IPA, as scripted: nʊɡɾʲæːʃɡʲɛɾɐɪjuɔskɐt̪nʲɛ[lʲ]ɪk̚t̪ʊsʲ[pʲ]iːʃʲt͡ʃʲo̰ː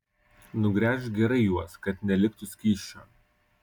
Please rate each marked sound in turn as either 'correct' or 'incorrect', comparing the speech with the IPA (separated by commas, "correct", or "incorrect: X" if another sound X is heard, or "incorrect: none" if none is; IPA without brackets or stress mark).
correct, incorrect: kʲ